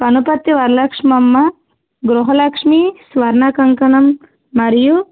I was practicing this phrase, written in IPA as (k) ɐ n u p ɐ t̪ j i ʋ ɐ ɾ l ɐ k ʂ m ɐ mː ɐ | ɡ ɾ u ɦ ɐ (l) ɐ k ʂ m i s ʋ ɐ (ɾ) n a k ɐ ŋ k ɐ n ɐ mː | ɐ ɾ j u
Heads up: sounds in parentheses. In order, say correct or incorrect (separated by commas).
incorrect, correct, correct